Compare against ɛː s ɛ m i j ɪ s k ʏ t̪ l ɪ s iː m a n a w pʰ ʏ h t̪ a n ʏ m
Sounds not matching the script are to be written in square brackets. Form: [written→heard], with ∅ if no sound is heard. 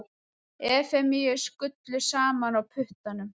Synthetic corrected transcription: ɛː [s→f] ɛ m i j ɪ s k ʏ t̪ l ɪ s [iː→aː] m a n a w pʰ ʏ h t̪ a n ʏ m